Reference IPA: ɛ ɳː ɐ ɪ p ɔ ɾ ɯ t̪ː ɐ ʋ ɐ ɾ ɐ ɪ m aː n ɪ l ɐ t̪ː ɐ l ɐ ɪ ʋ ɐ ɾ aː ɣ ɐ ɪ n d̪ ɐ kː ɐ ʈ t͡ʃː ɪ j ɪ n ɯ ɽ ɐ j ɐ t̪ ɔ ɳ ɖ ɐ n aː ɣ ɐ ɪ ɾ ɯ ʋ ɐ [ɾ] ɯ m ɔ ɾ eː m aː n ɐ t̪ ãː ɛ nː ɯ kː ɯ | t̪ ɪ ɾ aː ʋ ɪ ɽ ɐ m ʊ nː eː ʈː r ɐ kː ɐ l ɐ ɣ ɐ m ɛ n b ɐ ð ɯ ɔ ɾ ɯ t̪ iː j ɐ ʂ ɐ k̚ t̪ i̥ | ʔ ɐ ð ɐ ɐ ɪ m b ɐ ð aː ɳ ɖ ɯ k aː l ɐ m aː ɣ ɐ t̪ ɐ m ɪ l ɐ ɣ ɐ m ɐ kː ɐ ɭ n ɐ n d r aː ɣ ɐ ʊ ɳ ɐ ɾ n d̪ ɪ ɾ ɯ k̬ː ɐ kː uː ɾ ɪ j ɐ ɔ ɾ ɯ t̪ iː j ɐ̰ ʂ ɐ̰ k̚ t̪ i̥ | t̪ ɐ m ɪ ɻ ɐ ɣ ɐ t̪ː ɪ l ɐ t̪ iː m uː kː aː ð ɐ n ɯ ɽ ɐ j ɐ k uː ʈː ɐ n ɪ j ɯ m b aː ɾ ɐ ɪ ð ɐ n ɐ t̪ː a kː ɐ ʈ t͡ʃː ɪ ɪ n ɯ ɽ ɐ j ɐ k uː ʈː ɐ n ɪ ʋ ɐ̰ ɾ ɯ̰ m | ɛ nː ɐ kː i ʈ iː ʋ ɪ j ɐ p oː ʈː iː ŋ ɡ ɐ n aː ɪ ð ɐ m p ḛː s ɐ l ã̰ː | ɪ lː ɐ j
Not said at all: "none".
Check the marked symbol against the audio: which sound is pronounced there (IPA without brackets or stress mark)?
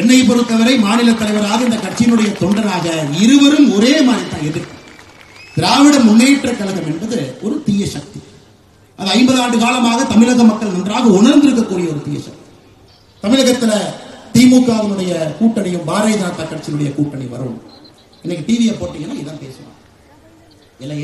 ɾ